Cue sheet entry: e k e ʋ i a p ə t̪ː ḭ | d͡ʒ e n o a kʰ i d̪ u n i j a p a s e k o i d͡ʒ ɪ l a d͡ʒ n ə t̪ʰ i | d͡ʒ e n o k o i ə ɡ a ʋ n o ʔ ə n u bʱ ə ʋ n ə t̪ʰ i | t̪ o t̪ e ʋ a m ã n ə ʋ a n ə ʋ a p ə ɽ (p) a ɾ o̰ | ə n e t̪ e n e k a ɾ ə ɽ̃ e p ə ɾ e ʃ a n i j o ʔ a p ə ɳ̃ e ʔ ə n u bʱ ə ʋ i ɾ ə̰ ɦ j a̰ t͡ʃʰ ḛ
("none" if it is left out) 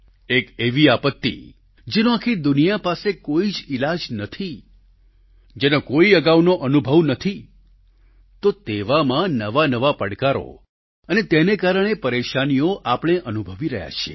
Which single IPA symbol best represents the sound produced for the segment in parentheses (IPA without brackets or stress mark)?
k